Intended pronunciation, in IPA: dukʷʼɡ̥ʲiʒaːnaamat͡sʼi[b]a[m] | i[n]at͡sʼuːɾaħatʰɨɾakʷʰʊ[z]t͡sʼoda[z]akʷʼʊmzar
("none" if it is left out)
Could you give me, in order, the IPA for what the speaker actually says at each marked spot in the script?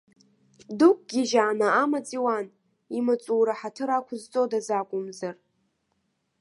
w, n, m, z, z

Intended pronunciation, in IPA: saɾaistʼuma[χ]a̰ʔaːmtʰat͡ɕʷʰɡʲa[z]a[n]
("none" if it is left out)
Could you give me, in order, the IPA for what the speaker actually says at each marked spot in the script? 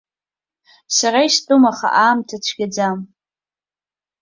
χ, d͡z, m

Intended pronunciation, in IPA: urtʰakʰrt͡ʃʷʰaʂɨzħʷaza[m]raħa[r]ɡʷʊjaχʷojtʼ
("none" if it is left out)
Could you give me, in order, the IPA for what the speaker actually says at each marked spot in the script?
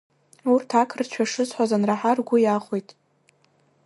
n, r

